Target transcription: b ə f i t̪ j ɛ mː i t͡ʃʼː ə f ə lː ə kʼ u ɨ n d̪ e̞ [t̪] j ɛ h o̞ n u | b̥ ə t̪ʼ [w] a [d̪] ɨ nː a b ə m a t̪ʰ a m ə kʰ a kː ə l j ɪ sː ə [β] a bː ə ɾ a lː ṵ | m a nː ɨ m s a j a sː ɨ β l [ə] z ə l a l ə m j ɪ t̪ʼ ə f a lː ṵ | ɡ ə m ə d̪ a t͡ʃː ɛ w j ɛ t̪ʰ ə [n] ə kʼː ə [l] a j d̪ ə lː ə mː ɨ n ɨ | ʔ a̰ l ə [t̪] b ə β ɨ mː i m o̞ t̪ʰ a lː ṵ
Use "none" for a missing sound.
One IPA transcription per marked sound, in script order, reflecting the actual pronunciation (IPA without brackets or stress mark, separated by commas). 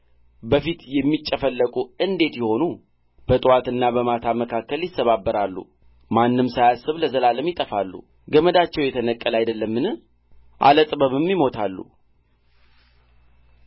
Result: t̪, w, t̪, β, ə, n, l, t̪ʼ